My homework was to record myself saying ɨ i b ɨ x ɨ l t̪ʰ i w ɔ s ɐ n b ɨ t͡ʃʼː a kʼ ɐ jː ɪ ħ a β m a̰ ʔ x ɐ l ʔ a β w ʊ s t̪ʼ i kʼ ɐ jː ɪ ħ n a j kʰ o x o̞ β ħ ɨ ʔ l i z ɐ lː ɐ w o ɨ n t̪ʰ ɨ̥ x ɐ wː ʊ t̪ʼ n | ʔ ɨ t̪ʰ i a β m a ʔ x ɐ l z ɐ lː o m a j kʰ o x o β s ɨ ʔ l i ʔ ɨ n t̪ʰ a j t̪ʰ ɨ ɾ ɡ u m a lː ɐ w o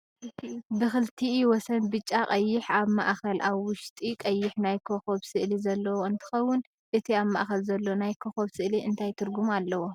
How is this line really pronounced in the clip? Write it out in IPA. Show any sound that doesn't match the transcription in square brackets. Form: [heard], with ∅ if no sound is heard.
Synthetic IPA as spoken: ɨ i b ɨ x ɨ l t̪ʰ i w ɔ s ɐ n b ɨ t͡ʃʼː a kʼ ɐ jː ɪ ħ a β m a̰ ʔ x ɐ l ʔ a β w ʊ [ʃ] t̪ʼ i kʼ ɐ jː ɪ ħ n a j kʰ o x o̞ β [s] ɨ ʔ l i z ɐ lː ɐ w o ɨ n t̪ʰ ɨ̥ x ɐ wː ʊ [∅] n | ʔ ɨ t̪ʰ i a β m a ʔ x ɐ l z ɐ lː o [n] a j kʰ o x o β s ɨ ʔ l i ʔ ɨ n t̪ʰ a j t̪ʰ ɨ ɾ ɡ u m a lː ɐ w o